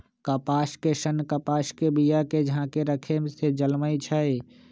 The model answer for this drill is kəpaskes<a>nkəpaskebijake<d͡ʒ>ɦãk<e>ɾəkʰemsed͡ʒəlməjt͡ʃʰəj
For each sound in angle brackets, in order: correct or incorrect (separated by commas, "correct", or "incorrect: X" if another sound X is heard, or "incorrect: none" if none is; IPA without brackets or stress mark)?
incorrect: ə, correct, correct